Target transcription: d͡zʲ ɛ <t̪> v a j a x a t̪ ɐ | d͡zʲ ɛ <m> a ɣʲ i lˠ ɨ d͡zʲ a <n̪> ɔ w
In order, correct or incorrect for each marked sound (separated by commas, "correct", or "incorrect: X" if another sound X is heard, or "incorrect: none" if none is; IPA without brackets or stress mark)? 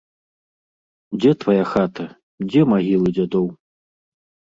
correct, correct, incorrect: d̪